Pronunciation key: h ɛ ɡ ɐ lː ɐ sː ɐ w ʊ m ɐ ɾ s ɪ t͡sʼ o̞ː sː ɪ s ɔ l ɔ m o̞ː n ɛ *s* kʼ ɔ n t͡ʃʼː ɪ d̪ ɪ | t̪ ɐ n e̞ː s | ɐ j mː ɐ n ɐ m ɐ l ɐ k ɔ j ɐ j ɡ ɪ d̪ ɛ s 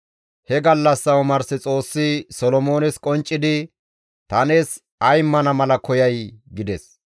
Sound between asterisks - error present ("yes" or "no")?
no